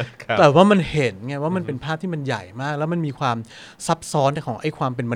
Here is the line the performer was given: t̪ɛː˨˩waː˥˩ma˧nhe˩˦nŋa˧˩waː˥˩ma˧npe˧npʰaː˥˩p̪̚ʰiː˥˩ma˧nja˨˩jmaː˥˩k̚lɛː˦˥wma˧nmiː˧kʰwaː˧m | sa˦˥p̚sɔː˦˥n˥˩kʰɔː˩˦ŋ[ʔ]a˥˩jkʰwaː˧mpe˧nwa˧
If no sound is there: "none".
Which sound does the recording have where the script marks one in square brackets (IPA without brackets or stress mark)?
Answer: ʔ